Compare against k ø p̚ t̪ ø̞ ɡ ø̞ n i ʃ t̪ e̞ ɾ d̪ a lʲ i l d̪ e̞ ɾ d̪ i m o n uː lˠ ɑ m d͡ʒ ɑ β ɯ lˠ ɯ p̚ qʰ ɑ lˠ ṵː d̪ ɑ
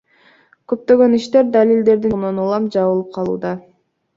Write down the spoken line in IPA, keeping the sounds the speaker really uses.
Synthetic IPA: k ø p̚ t̪ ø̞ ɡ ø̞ n i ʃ t̪ e̞ ɾ d̪ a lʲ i l d̪ e̞ ɾ d̪ i n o n u lˠ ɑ m d͡ʒ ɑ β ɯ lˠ ɯ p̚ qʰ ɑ lˠ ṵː d̪ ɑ